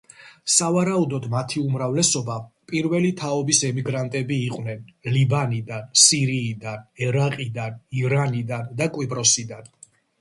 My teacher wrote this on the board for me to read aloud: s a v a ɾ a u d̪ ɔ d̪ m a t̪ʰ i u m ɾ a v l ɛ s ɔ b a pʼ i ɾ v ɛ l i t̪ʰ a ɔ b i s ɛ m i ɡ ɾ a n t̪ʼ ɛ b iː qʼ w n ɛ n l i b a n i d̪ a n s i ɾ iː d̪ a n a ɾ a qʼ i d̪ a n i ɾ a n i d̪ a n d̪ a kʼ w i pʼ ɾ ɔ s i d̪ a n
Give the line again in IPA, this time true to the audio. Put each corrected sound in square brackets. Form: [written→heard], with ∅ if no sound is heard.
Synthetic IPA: s a v a ɾ a u d̪ ɔ d̪ m a t̪ʰ i u m ɾ a v l ɛ s ɔ b a pʼ i ɾ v ɛ l i t̪ʰ a ɔ b i s ɛ m i ɡ ɾ a n t̪ʼ ɛ b iː qʼ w n ɛ n l i b a n i d̪ a n s i ɾ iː d̪ a n [a→ɛ] ɾ a qʼ i d̪ a n i ɾ a n i d̪ a n d̪ a kʼ w i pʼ ɾ ɔ s i d̪ a n